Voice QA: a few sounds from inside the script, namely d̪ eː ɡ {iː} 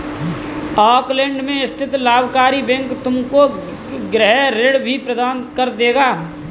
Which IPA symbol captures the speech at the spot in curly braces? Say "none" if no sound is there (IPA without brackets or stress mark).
aː